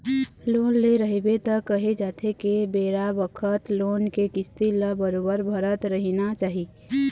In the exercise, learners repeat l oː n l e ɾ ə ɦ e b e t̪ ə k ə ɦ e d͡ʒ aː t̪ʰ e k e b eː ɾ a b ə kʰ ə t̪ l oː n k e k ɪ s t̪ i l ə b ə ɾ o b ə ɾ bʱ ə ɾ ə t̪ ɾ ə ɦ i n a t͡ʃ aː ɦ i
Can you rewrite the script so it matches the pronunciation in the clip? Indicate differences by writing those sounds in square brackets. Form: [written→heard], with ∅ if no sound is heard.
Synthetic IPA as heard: l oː n l e ɾ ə ɦ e b e t̪ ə k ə ɦ e d͡ʒ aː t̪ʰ e k e b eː ɾ a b ə kʰ ə t̪ l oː n k e k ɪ s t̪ i l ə b ə ɾ o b ə ɾ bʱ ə ɾ ə t̪ ɾ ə ɦ i n a t͡ʃ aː ɦ i